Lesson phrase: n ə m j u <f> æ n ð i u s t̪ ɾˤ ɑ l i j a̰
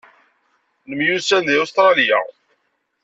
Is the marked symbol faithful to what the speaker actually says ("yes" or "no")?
no